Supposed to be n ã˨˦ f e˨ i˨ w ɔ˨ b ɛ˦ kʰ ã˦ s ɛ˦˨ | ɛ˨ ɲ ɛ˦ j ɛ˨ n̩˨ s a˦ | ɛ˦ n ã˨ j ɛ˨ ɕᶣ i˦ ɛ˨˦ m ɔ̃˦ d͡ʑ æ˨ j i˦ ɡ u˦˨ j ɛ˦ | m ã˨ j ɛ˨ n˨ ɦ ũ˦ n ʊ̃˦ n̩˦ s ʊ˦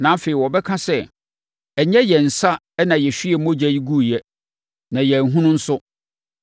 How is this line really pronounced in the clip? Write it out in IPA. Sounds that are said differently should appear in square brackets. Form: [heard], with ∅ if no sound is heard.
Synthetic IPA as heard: n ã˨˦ f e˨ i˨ w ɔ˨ b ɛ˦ kʰ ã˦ s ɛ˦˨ | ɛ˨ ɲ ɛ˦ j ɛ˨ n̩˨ s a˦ | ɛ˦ n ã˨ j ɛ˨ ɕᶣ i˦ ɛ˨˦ m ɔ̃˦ d͡ʑ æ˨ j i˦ ɡ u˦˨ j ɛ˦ | [n] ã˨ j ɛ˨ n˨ ɦ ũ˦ n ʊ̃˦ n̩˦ s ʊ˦